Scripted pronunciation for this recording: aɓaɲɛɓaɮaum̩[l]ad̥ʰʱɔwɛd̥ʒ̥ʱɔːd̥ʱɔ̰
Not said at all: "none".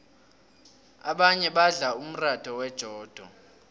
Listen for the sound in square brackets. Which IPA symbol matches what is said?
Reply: r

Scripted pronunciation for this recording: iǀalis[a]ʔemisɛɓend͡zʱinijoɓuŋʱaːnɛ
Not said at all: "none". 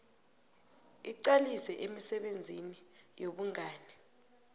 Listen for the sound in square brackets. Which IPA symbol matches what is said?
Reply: ɛ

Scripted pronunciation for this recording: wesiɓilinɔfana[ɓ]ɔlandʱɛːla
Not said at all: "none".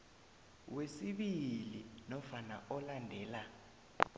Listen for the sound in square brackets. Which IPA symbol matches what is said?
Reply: none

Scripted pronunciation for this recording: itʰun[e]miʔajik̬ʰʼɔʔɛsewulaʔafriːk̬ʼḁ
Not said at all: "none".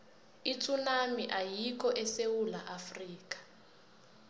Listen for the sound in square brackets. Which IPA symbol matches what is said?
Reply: a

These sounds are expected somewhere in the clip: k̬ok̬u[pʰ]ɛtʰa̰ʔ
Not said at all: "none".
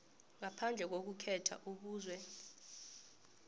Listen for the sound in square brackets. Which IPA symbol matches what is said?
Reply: kʰ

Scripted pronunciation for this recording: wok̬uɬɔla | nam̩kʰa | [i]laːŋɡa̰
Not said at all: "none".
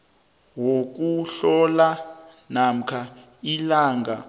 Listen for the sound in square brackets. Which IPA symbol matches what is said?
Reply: i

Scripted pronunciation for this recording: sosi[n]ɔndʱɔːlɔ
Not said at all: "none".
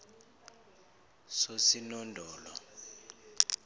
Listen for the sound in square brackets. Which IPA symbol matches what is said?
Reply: n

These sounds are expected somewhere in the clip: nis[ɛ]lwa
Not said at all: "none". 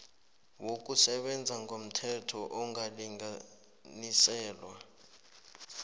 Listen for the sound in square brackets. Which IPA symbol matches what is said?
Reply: ɛː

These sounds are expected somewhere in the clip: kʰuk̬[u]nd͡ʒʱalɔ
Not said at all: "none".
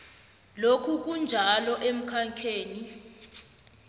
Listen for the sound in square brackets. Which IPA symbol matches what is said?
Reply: u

